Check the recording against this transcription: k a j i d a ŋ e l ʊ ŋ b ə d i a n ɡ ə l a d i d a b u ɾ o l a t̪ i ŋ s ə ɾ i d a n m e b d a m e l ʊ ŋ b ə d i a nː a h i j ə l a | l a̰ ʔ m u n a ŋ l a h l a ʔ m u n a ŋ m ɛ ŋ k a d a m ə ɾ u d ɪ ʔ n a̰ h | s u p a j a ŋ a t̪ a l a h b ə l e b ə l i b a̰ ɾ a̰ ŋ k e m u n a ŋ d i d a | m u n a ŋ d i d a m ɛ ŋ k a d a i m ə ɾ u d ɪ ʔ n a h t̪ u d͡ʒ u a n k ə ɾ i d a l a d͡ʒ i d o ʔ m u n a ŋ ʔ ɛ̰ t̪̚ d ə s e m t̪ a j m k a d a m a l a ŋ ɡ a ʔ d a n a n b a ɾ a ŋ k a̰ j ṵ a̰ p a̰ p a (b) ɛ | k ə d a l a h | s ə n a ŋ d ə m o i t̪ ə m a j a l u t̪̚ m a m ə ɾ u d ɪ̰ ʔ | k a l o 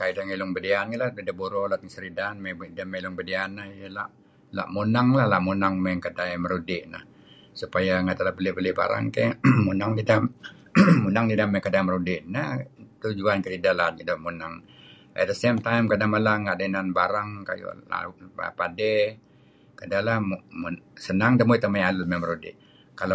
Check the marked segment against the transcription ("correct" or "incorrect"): incorrect